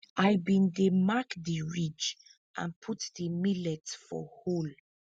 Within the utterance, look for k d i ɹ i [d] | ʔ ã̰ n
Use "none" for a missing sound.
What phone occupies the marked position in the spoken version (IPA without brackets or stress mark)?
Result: d͡ʒ